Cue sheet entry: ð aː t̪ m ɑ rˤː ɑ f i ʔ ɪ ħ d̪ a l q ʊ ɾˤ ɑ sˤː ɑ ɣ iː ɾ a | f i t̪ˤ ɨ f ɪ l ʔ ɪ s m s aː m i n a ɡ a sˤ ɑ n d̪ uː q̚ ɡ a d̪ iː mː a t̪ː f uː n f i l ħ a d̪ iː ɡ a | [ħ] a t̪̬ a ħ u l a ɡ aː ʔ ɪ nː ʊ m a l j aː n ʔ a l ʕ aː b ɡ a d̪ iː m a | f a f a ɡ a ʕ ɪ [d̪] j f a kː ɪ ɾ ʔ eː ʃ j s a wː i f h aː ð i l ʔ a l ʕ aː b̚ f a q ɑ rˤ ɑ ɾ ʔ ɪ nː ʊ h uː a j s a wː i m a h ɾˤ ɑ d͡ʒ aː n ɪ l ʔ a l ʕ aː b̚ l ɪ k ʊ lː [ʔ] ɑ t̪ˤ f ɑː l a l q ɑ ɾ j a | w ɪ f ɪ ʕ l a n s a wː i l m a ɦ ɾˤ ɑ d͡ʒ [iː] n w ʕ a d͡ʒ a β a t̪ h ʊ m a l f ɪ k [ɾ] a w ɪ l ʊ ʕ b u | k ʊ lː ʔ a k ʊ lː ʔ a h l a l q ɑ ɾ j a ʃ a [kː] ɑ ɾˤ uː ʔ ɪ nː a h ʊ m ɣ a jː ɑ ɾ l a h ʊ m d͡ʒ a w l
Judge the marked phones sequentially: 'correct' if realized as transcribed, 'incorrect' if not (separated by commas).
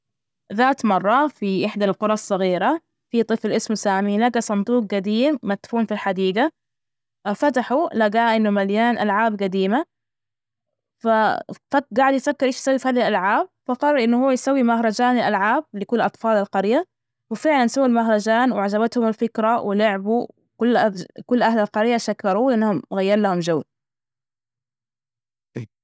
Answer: incorrect, correct, correct, incorrect, correct, correct